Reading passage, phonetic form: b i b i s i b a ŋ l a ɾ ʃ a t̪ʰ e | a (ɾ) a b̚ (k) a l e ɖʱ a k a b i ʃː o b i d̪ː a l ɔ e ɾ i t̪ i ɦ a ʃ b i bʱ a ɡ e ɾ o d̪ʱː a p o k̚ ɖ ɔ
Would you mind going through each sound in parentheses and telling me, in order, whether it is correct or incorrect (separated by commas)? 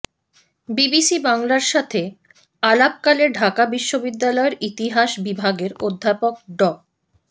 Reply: incorrect, correct